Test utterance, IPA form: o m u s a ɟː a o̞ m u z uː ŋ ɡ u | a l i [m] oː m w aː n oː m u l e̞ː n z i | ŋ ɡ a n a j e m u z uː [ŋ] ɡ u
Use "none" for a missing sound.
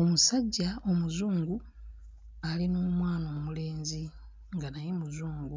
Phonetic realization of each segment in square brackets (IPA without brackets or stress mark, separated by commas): n, ŋ